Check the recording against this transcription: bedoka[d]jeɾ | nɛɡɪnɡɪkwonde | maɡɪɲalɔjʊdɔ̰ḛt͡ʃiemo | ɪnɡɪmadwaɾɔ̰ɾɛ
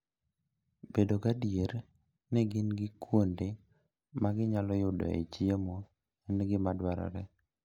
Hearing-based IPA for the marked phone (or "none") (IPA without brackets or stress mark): d